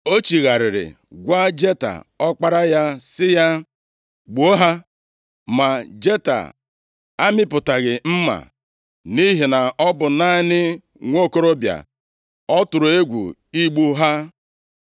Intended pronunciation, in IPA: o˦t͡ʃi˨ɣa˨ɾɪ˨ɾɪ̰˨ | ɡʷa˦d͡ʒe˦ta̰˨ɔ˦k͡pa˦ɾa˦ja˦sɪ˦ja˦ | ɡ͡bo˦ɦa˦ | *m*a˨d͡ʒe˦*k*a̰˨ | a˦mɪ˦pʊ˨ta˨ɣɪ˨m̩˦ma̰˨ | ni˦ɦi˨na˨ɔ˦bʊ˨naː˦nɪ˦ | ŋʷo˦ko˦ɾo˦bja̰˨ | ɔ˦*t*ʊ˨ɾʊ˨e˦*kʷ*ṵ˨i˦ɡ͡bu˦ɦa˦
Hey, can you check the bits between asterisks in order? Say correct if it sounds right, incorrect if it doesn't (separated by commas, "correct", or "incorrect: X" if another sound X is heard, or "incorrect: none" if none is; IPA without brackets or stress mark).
correct, incorrect: t, correct, incorrect: ɡʷ